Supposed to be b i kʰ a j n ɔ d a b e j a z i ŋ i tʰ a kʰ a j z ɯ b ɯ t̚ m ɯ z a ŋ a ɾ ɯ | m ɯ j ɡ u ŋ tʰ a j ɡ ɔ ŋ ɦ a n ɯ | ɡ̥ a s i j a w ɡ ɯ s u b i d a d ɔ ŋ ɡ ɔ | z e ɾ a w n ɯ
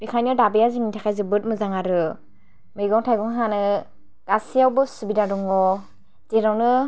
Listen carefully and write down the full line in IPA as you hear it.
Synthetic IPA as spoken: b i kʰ a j n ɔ d a b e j a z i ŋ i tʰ a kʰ a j z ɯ b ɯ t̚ m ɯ z a ŋ a ɾ ɯ | m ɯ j ɡ ɔ ŋ tʰ a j ɡ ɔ ŋ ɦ a n ɯ | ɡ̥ a s i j a w b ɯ s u b i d a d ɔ ŋ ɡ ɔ | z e ɾ a w n ɯ